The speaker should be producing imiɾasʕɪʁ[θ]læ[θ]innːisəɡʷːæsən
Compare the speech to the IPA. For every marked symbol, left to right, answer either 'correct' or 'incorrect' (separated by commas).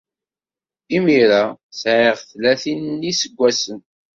correct, correct